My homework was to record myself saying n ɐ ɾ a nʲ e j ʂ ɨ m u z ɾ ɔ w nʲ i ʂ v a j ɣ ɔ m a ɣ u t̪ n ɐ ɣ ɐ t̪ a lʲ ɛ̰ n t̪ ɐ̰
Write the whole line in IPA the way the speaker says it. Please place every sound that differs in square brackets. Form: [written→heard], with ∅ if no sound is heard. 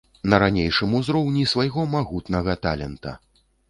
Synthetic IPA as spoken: n ɐ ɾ a nʲ e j ʂ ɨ m u z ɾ ɔ w nʲ i [ʂ→s] v a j ɣ ɔ m a ɣ u t̪ n ɐ ɣ ɐ t̪ a lʲ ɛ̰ n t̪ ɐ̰